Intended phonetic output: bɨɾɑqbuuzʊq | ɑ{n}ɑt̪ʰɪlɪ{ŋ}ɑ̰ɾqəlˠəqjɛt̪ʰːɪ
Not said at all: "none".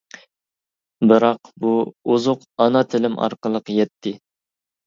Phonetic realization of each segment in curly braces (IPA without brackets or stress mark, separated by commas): n, m